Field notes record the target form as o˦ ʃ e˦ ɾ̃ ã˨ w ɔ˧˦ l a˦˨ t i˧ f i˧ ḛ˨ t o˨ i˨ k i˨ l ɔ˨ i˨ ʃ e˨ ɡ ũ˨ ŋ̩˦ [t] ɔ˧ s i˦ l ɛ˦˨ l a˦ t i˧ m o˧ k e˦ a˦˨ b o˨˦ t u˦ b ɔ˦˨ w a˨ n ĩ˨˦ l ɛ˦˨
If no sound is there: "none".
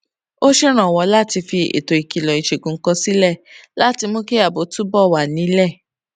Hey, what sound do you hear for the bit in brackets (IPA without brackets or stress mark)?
k